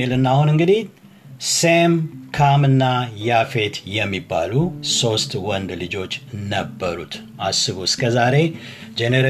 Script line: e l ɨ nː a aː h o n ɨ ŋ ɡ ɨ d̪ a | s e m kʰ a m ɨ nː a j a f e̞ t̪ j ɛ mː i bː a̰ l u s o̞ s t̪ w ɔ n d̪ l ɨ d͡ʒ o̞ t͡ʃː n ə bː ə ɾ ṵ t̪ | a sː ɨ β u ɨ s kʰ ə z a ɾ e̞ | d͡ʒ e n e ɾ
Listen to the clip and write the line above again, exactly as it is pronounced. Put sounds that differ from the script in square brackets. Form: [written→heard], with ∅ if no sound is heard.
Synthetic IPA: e l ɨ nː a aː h [o→u] n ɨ ŋ ɡ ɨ d̪ [a→i] | s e m kʰ a m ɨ nː a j a f e̞ t̪ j ɛ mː i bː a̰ l u s o̞ s t̪ w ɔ n d̪ l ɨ d͡ʒ o̞ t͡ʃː n ə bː ə ɾ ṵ t̪ | a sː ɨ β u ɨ s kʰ ə z a ɾ e̞ | d͡ʒ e n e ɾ